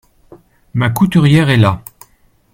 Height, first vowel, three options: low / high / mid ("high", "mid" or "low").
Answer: low